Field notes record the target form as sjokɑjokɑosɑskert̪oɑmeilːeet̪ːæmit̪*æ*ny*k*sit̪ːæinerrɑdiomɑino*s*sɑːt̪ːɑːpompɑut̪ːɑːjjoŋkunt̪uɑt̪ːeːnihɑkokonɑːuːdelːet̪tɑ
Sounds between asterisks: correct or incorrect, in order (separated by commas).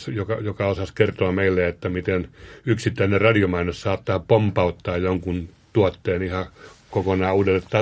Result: incorrect, correct, correct